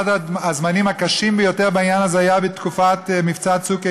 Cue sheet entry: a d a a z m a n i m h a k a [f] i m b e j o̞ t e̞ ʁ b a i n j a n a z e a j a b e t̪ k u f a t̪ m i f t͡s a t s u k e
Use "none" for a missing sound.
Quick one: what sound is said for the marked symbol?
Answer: ʃ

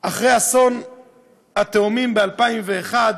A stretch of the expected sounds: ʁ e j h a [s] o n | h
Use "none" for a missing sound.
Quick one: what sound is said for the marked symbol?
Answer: s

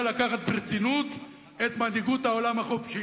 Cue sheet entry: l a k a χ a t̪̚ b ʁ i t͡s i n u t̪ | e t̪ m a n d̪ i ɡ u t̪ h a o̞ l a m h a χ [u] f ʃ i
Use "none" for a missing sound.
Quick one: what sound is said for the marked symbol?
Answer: o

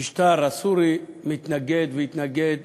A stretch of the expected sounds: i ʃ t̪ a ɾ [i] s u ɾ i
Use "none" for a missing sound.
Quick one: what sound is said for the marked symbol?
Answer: a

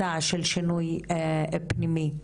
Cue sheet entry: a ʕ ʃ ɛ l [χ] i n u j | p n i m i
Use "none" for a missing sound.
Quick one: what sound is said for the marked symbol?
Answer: ʃ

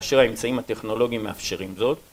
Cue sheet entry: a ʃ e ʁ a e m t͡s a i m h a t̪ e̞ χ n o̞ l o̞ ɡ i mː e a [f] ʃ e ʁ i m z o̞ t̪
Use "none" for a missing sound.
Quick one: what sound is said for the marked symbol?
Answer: f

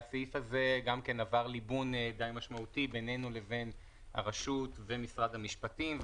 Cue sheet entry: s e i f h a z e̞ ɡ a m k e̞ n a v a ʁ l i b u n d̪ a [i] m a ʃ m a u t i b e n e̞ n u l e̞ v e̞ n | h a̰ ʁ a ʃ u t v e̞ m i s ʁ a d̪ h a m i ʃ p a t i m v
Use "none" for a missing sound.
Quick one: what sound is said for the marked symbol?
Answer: j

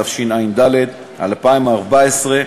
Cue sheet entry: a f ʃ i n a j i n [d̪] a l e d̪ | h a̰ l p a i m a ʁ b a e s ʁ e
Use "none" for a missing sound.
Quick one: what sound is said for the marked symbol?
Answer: d̪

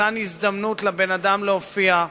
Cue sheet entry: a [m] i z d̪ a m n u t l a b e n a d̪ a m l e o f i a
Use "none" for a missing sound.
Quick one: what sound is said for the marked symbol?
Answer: n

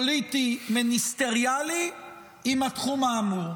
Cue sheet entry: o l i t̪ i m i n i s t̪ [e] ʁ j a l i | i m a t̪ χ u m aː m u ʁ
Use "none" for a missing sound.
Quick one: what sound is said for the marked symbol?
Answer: e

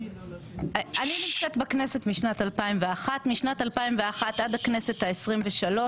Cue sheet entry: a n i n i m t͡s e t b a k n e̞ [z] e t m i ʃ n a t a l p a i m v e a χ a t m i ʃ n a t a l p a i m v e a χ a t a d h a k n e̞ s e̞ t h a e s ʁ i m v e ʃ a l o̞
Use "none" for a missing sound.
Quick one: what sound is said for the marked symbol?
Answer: s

